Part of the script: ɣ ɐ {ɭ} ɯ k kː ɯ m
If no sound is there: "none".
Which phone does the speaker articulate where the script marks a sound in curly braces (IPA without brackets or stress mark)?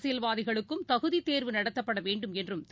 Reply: ɭ